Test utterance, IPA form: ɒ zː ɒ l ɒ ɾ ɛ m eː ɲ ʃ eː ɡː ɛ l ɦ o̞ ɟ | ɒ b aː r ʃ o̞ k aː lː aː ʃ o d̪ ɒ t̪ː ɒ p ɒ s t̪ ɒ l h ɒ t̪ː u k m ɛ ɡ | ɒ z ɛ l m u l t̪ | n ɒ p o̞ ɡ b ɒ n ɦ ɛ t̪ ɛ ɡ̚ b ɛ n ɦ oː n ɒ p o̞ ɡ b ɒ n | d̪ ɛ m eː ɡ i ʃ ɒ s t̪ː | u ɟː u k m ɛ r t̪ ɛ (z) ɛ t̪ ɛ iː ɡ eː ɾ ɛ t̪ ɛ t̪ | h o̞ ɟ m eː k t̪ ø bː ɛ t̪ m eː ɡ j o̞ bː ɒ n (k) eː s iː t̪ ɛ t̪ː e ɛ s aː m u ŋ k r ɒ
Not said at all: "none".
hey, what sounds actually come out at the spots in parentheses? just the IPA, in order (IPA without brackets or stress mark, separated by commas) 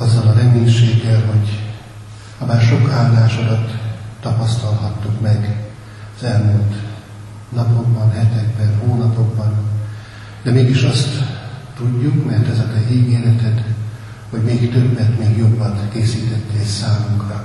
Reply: z, k